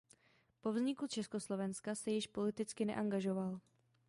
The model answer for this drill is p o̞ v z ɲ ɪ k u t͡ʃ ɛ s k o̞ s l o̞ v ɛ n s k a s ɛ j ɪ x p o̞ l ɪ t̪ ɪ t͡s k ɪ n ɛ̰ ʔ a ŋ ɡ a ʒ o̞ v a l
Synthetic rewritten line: p o̞ v z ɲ ɪ k u t͡ʃ ɛ s k o̞ s l o̞ v ɛ n s k a s ɛ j ɪ ʃ p o̞ l ɪ t̪ ɪ t͡s k ɪ n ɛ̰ ʔ a ŋ ɡ a ʒ o̞ v a l